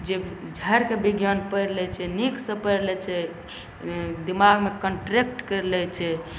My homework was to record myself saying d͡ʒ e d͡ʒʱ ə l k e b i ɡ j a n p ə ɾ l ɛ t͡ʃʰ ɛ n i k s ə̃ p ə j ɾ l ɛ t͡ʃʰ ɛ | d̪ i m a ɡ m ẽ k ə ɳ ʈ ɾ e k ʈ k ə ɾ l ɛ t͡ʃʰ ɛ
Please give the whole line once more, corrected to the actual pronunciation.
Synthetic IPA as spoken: d͡ʒ e d͡ʒʱ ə ɾ k e b i ɡ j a n p ə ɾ l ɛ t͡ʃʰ ɛ n i k s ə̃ p ə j ɾ l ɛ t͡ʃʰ ɛ | d̪ i m a ɡ m e k ə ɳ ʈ ɾ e k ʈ k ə ɾ l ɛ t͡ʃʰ ɛ